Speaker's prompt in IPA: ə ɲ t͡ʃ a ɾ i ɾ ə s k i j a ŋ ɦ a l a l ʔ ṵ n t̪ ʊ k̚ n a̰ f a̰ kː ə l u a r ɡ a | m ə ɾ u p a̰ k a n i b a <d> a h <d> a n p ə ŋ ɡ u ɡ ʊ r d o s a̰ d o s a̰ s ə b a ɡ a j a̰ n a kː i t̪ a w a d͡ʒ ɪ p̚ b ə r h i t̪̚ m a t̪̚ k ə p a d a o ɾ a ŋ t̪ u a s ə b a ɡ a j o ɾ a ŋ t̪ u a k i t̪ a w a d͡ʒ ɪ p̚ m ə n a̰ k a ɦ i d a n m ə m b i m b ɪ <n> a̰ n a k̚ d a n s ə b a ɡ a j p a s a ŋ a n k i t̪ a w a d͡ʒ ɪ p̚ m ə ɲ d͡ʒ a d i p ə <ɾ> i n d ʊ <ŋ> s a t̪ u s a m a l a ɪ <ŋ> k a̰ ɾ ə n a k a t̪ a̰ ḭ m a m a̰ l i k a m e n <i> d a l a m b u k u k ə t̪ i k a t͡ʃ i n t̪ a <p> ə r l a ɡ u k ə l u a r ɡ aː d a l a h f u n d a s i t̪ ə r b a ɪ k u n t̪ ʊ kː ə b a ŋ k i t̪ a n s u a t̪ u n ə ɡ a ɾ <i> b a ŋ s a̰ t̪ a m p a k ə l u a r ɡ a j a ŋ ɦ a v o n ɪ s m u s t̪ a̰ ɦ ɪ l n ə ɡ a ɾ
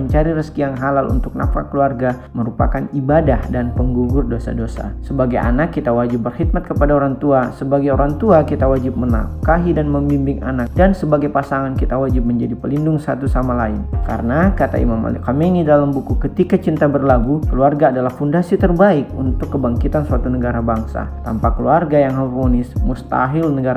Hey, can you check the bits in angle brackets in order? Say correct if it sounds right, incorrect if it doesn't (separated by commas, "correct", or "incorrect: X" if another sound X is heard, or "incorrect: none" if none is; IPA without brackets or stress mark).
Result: correct, correct, incorrect: ŋ, incorrect: l, correct, incorrect: n, correct, incorrect: b, incorrect: a